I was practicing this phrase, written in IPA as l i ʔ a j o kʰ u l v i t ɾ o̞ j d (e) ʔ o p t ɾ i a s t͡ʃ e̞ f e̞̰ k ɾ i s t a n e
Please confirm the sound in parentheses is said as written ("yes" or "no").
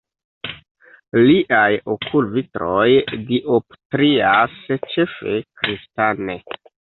no